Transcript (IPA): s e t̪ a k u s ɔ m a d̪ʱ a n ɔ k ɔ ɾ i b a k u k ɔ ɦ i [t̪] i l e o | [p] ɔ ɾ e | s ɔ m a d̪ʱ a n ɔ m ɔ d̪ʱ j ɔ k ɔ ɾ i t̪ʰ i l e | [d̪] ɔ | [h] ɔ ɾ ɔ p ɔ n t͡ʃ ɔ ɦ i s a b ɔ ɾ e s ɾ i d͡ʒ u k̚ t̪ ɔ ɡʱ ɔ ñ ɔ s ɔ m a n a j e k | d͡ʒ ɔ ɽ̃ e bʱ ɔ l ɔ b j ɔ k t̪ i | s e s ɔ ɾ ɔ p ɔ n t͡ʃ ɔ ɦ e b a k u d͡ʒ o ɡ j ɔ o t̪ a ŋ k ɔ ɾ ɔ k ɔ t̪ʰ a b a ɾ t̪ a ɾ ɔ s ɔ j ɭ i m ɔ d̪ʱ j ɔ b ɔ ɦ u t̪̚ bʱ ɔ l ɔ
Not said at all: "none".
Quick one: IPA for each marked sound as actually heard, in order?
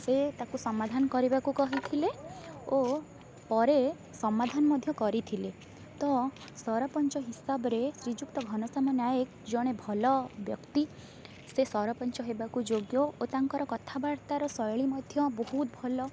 t̪ʰ, p, t̪, s

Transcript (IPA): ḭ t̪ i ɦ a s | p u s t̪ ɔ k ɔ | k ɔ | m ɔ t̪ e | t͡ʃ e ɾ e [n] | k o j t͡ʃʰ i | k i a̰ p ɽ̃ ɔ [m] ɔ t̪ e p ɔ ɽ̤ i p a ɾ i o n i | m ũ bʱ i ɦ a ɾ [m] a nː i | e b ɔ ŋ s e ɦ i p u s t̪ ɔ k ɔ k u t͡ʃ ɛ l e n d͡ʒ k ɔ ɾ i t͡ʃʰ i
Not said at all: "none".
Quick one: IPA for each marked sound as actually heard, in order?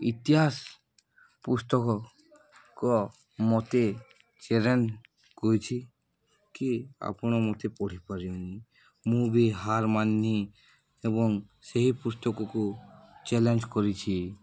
n, m, m

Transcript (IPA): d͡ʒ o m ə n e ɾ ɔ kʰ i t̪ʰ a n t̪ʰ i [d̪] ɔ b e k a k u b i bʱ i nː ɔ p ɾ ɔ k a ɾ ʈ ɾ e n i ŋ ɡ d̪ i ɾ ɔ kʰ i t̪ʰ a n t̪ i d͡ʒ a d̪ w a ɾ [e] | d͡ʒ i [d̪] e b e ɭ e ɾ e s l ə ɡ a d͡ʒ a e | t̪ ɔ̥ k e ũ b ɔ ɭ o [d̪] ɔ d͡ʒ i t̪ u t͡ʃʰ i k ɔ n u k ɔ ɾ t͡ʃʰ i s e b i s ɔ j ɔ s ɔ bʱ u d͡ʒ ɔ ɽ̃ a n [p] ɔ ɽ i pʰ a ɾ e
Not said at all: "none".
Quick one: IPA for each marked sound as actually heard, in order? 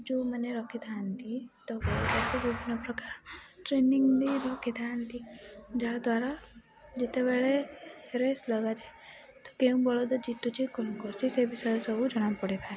t̪, a, t̪, d̪, p

